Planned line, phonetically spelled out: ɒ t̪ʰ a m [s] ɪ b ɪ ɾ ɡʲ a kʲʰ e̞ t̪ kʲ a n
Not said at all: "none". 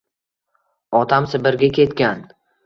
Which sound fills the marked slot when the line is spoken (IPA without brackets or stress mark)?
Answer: s